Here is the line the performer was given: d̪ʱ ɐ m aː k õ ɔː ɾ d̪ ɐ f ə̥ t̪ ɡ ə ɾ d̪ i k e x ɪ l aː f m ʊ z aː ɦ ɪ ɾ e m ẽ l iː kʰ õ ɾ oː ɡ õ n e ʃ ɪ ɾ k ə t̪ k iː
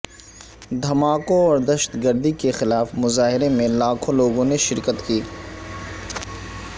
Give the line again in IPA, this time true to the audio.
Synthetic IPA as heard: d̪ʱ ɐ m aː k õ ɔː ɾ d̪ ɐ ʃ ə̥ t̪ ɡ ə ɾ d̪ i k e x ɪ l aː f m ʊ z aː ɦ ɪ ɾ e m ẽ l aː kʰ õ l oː ɡ õ n e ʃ ɪ ɾ k ə t̪ k iː